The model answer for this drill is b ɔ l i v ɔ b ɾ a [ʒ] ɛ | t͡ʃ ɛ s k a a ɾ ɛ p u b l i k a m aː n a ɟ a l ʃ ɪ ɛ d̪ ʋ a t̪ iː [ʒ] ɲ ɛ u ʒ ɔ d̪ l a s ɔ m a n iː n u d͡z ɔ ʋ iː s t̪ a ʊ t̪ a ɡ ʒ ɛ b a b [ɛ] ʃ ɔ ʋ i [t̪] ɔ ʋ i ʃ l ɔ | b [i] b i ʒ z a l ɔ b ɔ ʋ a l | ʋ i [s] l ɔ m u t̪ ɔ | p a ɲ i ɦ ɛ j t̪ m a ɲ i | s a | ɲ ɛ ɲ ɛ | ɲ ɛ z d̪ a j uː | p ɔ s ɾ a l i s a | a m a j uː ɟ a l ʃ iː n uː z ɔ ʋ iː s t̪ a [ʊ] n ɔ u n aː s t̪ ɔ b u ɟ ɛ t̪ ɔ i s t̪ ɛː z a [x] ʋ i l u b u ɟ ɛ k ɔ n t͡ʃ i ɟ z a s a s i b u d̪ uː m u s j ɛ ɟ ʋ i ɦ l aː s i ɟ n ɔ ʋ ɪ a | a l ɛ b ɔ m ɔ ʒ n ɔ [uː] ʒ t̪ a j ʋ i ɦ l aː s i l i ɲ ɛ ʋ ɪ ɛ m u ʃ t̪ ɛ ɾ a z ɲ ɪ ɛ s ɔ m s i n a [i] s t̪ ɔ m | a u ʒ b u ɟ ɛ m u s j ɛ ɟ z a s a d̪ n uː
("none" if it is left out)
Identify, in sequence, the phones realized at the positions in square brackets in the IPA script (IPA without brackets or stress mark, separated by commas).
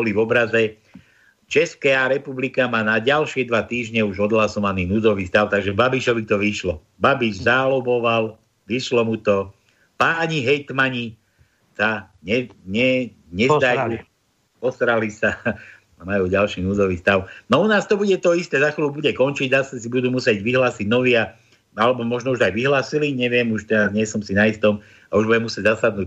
z, ʒ, i, t̪, a, ʃ, ʊ, x, u, i